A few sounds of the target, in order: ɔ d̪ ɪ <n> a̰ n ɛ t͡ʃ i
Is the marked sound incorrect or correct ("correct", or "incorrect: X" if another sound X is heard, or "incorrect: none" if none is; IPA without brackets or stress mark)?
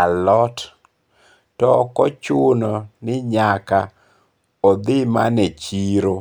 incorrect: m